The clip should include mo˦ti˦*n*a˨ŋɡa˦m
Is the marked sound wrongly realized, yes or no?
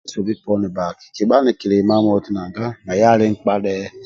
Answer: no